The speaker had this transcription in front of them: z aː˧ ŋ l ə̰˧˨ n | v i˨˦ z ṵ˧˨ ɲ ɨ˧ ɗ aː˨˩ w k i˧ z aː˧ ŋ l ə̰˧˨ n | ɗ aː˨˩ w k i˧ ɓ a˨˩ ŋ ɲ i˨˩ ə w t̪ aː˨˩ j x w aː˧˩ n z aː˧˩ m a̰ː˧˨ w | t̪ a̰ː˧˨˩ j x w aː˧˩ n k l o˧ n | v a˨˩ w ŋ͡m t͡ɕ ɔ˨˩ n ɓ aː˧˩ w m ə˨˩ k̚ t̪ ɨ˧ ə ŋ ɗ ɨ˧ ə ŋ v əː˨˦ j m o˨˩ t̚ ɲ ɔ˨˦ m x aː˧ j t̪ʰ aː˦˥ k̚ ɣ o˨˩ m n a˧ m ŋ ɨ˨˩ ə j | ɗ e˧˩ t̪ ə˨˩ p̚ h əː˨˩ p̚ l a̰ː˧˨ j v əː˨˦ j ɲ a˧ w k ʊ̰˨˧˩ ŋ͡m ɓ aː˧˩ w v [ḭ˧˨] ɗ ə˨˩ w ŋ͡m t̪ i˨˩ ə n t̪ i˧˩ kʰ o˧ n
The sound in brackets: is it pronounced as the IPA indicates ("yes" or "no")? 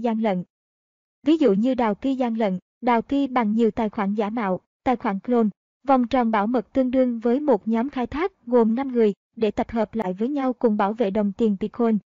no